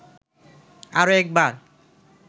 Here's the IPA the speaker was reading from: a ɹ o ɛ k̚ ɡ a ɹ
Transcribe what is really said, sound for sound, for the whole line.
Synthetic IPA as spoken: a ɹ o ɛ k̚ b a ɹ